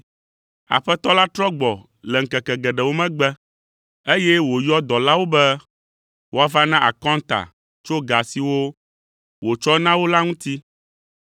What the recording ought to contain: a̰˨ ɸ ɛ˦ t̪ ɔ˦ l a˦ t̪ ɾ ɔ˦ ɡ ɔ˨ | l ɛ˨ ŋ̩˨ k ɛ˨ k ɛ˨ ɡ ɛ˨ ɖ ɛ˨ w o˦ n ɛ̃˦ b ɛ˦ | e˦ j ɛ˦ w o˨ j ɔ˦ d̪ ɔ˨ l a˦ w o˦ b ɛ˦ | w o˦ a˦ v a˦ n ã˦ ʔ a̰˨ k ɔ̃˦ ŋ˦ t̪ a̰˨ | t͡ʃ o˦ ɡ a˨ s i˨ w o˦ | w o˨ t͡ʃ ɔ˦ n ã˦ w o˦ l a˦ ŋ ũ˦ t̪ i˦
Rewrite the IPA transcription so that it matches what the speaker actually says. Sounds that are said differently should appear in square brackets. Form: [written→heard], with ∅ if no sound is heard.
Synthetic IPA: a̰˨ ɸ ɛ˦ t̪ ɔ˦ l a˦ t̪ ɾ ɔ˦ [ɡ→ɡ͡b] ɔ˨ | l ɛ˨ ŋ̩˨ k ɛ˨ k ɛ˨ ɡ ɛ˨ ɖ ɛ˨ w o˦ [n→m] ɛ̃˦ [b→ɡ͡b] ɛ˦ | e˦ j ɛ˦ w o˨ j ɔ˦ d̪ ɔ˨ l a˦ w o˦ b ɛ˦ | w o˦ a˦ v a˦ n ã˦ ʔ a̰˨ k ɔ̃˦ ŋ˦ t̪ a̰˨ | t͡ʃ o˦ ɡ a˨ s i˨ w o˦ | w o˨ t͡ʃ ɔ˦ n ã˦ w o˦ l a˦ ŋ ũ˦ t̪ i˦